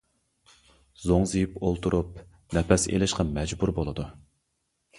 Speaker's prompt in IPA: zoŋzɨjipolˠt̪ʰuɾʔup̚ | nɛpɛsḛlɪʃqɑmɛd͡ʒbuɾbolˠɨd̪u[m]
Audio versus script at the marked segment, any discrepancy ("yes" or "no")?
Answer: yes